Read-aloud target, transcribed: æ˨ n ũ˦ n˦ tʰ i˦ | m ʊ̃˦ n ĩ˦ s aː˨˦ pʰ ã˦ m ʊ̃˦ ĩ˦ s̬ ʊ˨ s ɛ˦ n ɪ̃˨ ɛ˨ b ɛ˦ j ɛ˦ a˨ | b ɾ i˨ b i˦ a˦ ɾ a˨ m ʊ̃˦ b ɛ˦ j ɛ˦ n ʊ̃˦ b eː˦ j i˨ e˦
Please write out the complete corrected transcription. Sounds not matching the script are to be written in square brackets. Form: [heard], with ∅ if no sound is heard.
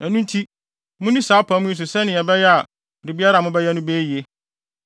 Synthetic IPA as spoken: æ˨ n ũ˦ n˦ tʰ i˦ | m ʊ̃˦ n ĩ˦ s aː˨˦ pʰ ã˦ m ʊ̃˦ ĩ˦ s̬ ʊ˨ s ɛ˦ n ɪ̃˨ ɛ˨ b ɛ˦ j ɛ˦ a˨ | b ɾ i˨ b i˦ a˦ ɾ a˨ m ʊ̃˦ b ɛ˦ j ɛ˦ n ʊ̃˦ b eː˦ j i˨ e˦